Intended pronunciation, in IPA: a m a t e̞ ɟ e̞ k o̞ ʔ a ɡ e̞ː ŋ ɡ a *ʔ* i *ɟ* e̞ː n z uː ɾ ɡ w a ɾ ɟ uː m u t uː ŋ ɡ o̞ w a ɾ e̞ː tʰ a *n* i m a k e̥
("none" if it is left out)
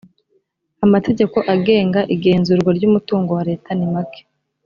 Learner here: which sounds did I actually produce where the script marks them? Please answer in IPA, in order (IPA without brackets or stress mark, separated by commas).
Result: ʔ, ɡ, n